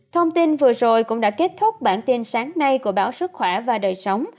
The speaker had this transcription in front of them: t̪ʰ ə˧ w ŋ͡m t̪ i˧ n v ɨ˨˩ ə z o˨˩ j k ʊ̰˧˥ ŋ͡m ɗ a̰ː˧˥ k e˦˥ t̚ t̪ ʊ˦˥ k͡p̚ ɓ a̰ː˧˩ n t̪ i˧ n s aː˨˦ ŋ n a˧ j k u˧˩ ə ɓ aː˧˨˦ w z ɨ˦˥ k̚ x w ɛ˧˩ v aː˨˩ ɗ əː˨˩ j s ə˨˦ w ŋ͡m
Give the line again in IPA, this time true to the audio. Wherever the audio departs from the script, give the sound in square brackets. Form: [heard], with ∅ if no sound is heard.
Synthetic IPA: t̪ʰ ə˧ w ŋ͡m t̪ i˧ n v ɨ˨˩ ə z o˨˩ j k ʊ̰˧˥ ŋ͡m ɗ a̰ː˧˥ k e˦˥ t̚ [t̪ʰ] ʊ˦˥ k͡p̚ ɓ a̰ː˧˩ n t̪ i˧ n s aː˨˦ ŋ n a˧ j k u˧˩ ə ɓ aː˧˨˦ w [s] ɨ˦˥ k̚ x w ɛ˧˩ v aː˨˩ ɗ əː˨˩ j s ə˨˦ w ŋ͡m